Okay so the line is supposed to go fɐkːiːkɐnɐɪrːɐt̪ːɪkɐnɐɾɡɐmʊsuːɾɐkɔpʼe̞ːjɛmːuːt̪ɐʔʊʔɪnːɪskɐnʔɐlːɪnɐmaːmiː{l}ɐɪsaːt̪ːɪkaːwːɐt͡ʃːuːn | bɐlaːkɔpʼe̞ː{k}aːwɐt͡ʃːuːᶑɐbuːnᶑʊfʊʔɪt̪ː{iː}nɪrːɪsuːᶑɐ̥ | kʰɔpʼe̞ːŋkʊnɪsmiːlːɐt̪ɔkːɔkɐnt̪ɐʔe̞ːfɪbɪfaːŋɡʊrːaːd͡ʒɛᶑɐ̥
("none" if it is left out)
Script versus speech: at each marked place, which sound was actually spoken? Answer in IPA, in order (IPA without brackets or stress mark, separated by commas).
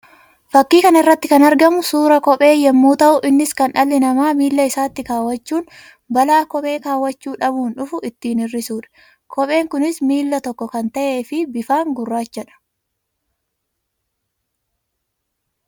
lː, k, iː